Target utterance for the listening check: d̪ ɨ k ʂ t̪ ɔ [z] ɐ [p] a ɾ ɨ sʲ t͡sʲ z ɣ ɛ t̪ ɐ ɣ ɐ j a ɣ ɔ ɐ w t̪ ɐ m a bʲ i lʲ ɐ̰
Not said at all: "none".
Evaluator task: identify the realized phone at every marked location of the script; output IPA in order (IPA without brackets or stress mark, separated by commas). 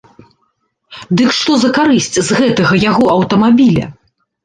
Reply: z, k